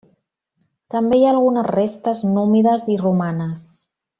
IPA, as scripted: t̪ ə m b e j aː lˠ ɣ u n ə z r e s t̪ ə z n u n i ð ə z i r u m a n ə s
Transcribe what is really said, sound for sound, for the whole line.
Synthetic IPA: t̪ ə m b e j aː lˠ ɣ u n ə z r e s t̪ ə z n u m i ð ə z i r u m a n ə s